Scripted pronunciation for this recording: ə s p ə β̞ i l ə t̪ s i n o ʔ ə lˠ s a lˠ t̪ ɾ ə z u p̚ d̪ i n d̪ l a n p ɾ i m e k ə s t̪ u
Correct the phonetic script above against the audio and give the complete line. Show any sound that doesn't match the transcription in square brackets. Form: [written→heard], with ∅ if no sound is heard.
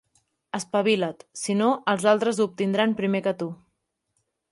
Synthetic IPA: ə s p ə β̞ i l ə t̪ s i n o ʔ ə lˠ [s→z] a lˠ t̪ ɾ ə z u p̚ [d̪→t̪] i n d̪ [l→ɾ] a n p ɾ i m e k ə [s→∅] t̪ u